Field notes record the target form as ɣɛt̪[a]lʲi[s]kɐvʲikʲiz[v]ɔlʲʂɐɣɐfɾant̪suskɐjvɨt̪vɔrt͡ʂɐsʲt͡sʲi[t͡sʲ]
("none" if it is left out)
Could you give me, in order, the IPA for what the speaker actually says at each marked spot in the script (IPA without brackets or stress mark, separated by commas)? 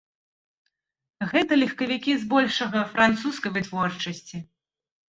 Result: ɐ, x, b, none